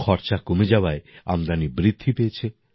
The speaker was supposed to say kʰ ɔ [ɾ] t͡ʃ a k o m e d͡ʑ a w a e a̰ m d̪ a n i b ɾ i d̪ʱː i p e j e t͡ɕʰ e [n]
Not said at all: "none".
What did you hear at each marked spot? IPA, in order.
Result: ɾ, none

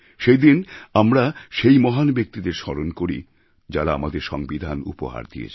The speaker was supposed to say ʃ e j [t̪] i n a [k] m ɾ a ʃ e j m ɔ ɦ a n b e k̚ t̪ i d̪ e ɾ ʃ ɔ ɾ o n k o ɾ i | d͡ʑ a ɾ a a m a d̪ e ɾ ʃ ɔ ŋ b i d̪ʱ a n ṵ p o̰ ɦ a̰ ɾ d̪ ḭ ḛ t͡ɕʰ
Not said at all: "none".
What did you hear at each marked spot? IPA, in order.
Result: d̪, none

